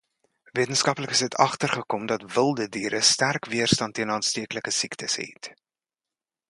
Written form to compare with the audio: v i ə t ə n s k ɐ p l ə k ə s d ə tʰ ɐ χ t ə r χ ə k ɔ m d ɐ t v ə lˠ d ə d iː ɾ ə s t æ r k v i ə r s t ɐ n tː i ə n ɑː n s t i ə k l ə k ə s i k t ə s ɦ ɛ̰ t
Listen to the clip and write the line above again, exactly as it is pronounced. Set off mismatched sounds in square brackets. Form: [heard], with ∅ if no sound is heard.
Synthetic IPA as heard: v i ə t ə n s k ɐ p l ə k ə s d ə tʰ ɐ χ t ə r χ ə k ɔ m d ɐ t v ə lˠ d ə d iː ɾ ə s t æ r k v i ə r s t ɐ n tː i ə n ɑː n s t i ə k l ə k ə s i k t ə s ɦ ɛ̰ t